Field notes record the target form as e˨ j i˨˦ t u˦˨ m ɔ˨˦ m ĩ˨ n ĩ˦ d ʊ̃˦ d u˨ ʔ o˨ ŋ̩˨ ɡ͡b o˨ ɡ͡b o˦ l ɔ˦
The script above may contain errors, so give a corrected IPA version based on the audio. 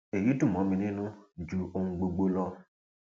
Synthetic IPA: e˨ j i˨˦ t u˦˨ m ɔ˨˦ m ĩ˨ n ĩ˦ n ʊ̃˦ d͡ʒ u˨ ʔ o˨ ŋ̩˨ ɡ͡b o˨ ɡ͡b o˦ l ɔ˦